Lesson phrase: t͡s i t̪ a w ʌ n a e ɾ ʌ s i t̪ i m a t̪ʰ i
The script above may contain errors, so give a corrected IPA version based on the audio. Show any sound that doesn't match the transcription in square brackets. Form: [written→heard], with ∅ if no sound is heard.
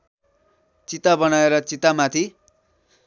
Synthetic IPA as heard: t͡s i t̪ a [w→b] ʌ n a e ɾ ʌ [s→t͡s] i t̪ [i→a] m a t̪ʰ i